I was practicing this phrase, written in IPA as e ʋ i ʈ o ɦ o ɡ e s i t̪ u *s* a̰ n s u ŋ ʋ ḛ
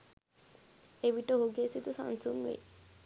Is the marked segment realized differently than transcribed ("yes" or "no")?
no